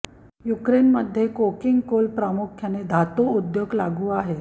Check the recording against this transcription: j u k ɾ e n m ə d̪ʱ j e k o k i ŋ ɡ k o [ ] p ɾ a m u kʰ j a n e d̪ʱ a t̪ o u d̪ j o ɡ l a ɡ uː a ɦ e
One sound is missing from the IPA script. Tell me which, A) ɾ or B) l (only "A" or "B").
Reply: B